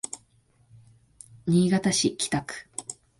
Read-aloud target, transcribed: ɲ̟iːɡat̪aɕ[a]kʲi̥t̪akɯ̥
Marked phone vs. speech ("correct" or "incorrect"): incorrect